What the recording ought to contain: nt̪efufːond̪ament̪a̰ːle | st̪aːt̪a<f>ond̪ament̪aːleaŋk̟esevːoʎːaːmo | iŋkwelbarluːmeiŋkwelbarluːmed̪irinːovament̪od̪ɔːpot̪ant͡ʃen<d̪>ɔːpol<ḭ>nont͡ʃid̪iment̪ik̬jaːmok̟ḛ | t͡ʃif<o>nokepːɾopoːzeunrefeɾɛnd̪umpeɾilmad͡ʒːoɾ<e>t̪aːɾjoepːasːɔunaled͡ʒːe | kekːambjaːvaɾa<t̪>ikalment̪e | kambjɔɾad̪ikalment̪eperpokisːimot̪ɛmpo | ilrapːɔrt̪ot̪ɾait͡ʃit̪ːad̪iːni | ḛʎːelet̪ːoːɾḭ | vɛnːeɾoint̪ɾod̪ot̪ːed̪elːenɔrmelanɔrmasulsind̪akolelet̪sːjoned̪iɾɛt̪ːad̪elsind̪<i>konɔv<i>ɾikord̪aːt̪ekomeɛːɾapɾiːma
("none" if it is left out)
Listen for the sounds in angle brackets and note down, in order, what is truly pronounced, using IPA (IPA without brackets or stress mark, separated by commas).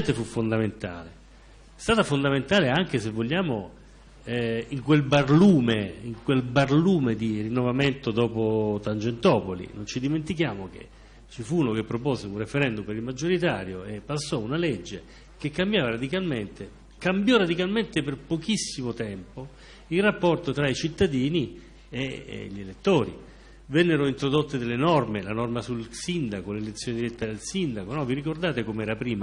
f, t̪, ḭ, u, i, d̪, a, i